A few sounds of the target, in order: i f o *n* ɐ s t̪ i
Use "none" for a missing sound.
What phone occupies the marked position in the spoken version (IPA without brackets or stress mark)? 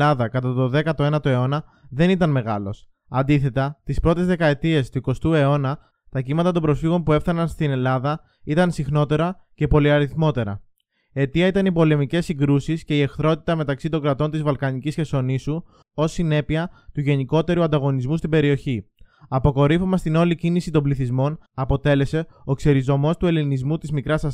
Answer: m